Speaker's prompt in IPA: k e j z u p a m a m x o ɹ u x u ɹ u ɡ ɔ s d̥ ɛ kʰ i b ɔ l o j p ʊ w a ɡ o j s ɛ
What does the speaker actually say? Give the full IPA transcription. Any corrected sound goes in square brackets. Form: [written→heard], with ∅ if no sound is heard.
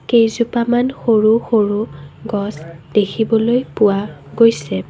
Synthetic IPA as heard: k e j z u p a m a [m→n] x o ɹ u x [u→o] ɹ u ɡ ɔ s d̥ [ɛ→e] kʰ i b ɔ l o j p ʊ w a ɡ o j s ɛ

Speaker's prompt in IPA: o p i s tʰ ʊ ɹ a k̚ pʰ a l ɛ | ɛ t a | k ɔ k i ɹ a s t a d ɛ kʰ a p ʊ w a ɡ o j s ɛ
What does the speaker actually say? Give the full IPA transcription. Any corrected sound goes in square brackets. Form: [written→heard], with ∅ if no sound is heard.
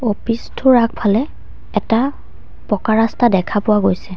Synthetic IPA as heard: o p i s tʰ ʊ ɹ a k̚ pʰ a l ɛ | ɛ t a | [k→p] ɔ k [i→a] ɹ a s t a d ɛ kʰ a p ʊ w a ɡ o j s ɛ

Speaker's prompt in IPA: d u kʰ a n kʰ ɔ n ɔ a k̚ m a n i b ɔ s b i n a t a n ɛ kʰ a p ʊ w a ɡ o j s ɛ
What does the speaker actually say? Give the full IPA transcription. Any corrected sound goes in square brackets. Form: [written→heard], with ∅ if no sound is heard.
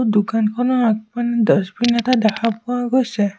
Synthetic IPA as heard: d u [kʰ→k] a n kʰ ɔ n ɔ a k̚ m a n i [b→d] ɔ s b i n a t a [n→d] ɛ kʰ a p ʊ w a ɡ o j s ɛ

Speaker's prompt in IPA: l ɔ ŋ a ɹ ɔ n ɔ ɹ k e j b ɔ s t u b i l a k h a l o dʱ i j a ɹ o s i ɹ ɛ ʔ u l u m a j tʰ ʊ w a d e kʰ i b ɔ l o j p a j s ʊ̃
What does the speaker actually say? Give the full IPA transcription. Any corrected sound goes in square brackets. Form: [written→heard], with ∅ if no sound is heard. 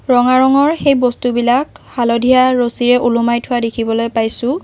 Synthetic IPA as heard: [l→ɹ] ɔ ŋ a ɹ ɔ [n→ŋ] ɔ ɹ [k→x] e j b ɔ s t u b i l a k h a l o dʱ i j a ɹ o s i ɹ ɛ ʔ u l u m a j tʰ ʊ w a d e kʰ i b ɔ l o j p a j s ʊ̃

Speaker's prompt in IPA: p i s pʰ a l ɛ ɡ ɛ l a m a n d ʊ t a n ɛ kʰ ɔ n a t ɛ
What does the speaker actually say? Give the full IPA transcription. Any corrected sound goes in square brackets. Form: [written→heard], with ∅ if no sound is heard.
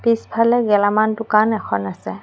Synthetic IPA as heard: p i s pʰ a l ɛ ɡ ɛ l a m a n [d→t] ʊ [t→k] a n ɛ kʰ ɔ n a [t→s] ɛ

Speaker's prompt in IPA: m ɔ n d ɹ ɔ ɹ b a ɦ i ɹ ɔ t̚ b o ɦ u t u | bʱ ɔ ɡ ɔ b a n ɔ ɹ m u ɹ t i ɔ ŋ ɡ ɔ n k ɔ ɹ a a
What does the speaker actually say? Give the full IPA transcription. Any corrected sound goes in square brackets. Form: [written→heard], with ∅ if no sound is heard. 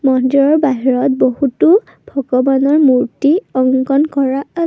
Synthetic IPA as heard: m ɔ n d ɹ ɔ ɹ b a ɦ i ɹ ɔ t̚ b o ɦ u t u | bʱ ɔ ɡ ɔ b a n ɔ ɹ m u ɹ t i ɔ ŋ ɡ ɔ n k ɔ ɹ a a

